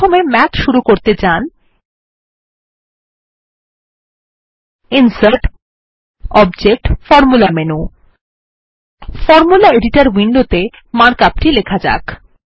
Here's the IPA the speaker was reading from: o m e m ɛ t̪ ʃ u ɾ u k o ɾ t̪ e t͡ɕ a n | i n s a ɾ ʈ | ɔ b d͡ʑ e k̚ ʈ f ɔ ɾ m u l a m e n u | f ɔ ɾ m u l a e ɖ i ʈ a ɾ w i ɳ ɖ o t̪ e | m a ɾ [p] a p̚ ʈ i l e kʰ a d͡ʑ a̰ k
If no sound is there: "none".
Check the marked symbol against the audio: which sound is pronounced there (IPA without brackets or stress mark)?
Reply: k